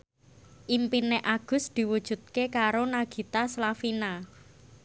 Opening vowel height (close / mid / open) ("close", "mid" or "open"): close